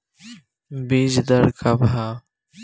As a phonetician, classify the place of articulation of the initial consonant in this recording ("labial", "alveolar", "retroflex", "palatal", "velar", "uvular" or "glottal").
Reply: labial